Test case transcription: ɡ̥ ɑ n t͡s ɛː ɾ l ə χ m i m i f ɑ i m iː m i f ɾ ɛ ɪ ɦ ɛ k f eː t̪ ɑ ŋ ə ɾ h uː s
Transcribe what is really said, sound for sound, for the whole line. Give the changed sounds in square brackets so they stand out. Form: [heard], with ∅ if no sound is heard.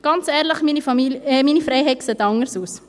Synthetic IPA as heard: ɡ̥ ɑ n t͡s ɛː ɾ l ə χ m i [n] i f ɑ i m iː [n] i f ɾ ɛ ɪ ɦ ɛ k [s] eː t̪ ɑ ŋ ə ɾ [s] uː s